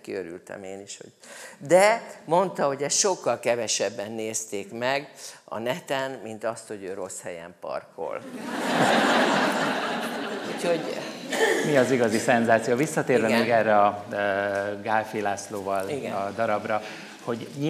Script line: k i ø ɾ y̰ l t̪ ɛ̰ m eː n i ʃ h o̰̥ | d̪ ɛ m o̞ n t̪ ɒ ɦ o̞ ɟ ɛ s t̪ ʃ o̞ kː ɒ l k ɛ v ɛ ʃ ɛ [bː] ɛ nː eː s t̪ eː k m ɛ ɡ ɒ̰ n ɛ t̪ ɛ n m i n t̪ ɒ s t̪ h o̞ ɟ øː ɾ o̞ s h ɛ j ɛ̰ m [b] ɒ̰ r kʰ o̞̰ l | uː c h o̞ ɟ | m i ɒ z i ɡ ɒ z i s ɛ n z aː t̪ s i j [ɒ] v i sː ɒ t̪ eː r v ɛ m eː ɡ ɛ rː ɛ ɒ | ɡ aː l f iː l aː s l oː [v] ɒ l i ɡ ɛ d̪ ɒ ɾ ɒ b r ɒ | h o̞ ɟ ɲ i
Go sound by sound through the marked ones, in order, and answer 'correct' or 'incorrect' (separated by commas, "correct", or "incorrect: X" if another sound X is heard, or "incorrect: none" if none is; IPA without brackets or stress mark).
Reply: correct, incorrect: p, incorrect: o, correct